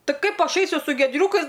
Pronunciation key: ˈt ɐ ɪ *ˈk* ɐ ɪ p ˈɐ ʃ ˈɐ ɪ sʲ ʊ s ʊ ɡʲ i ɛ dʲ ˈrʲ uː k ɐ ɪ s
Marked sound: correct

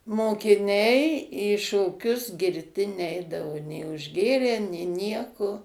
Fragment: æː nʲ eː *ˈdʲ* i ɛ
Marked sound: incorrect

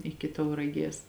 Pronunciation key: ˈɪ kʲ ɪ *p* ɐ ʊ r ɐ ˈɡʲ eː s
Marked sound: incorrect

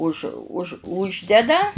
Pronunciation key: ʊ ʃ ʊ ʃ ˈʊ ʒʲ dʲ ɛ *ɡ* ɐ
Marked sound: incorrect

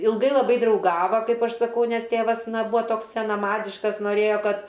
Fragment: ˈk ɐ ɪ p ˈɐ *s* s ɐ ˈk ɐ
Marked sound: incorrect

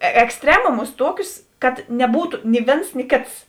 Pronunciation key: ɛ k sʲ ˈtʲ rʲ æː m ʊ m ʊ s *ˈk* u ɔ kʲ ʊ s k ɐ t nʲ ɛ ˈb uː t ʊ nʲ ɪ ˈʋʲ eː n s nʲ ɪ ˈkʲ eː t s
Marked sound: incorrect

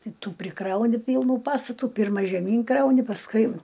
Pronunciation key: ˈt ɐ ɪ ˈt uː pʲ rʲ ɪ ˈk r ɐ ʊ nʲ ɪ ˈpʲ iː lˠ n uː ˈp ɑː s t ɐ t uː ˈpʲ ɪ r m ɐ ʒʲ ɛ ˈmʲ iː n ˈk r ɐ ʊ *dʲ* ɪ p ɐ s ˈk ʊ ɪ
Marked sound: incorrect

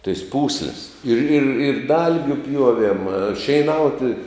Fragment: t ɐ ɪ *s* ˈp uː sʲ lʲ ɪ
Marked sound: correct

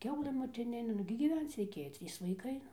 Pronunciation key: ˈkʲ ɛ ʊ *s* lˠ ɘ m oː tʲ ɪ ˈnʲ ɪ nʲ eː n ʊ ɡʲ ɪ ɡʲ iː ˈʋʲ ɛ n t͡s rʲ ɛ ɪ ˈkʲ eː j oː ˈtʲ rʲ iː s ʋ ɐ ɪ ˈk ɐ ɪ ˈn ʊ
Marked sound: incorrect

